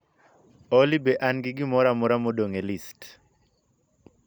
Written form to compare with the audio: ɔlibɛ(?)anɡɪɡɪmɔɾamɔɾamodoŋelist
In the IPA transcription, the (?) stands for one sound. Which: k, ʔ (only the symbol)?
ʔ